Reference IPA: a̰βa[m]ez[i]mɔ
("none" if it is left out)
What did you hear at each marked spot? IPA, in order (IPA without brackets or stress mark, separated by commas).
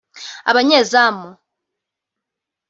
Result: ɲ, a